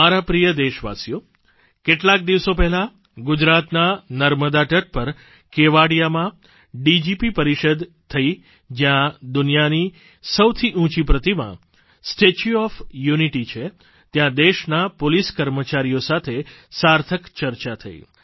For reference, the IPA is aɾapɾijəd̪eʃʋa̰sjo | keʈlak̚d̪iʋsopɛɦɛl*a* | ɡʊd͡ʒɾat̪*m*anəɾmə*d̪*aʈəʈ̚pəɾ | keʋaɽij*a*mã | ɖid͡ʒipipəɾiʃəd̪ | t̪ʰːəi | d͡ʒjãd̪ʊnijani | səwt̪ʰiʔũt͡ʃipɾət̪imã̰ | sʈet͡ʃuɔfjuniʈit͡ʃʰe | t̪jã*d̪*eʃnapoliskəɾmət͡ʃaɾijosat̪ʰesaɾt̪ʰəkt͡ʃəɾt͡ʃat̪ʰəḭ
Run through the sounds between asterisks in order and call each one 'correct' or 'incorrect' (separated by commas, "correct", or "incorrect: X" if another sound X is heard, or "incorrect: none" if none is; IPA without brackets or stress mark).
correct, incorrect: n, correct, correct, correct